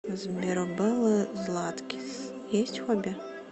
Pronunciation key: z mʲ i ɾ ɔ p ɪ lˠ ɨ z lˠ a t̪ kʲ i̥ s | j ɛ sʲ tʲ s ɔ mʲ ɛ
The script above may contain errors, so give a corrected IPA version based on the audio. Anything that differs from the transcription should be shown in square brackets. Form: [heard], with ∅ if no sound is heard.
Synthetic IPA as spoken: z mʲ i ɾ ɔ [b] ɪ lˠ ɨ z lˠ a t̪ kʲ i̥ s | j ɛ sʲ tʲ [x] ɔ [bʲ] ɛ

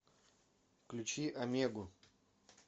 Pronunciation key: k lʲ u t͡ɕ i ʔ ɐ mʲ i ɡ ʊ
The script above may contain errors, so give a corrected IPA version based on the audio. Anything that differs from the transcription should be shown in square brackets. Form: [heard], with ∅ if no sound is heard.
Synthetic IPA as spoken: k lʲ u t͡ɕ i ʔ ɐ mʲ [e] ɡ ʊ

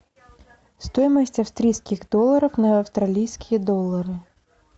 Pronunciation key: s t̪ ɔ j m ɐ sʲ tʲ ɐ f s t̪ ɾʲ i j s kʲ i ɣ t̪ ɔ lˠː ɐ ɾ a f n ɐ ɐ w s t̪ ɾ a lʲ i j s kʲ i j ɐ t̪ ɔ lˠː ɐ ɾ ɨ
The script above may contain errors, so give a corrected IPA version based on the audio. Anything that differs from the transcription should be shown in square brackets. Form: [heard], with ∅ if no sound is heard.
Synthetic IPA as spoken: s t̪ ɔ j m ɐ sʲ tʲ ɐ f s t̪ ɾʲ i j s kʲ i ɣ [d̪] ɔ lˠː ɐ ɾ [ɐ] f n ɐ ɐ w s t̪ ɾ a lʲ i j s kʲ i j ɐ [d̪] ɔ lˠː ɐ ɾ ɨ

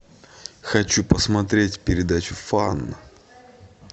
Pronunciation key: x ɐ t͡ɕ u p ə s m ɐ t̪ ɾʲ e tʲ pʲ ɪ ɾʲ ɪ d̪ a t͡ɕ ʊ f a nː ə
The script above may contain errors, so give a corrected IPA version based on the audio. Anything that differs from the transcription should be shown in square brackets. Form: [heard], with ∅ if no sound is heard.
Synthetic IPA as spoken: x ɐ t͡ɕ u p ə s m ɐ t̪ ɾʲ e tʲ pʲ ɪ ɾʲ ɪ d̪ a t͡ɕ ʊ f a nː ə

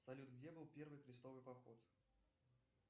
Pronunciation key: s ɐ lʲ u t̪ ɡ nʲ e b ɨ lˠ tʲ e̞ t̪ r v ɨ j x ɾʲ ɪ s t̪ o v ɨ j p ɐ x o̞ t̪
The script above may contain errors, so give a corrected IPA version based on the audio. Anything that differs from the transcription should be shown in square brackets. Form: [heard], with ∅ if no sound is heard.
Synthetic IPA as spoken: s ɐ lʲ u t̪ ɡ [dʲ] e b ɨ lˠ [pʲ] e̞ [∅] r v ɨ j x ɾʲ ɪ s t̪ o v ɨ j p ɐ x o̞ t̪

